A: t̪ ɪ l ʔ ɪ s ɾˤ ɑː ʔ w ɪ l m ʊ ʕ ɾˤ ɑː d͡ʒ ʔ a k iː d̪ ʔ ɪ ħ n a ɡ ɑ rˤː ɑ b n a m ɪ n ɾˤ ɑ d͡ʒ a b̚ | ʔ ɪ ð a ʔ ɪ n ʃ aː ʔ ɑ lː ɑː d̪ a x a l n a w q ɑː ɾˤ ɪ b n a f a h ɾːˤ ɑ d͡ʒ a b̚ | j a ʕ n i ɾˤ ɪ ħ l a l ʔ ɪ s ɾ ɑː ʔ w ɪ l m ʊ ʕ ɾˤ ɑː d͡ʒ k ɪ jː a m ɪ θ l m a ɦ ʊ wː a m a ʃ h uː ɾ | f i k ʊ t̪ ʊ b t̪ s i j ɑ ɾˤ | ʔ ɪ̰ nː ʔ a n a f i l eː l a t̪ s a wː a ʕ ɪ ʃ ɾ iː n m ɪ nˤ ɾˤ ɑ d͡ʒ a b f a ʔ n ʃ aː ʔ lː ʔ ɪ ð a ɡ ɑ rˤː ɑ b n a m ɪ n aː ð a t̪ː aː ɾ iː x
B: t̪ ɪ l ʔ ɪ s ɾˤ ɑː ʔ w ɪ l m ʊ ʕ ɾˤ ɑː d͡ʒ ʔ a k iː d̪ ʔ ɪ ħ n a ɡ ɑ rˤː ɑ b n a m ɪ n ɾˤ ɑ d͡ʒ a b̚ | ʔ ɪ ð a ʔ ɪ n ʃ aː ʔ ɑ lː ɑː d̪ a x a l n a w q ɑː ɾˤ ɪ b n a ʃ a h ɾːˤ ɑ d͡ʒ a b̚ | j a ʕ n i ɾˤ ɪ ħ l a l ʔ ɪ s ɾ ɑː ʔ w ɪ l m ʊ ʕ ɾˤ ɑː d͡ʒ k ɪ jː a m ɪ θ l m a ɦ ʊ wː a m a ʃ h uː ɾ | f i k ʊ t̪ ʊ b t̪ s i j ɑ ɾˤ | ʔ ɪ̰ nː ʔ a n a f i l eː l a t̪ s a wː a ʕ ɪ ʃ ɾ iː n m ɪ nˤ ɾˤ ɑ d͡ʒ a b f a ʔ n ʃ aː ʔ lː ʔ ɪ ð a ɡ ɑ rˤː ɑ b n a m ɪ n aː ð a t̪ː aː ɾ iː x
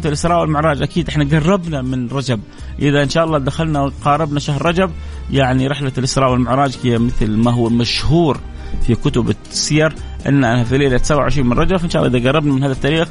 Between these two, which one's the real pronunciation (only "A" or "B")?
B